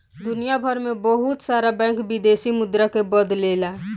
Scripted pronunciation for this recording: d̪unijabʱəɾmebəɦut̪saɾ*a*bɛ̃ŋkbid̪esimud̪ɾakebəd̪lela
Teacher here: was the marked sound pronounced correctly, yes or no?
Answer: yes